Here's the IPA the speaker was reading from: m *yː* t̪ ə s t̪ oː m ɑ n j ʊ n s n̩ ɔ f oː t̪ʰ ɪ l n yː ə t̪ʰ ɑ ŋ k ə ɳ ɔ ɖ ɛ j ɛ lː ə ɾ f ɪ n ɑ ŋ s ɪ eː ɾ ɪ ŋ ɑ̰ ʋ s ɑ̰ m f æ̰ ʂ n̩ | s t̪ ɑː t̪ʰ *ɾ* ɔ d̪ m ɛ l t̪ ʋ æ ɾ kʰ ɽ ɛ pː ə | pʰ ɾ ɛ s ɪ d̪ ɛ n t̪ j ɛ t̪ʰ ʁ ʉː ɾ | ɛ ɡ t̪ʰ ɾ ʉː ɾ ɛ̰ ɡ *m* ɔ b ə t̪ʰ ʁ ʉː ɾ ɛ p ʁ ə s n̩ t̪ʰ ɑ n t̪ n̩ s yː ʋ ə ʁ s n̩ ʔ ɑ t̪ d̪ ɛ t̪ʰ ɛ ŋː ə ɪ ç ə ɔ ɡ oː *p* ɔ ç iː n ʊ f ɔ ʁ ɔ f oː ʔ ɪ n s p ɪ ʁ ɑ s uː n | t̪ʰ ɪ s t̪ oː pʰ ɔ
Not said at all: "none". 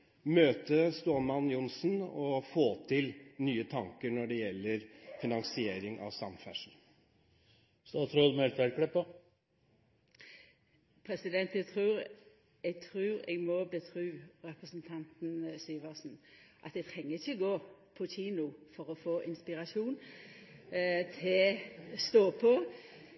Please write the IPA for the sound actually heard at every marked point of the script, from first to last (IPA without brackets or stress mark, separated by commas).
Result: øː, ɾ, m, pʰ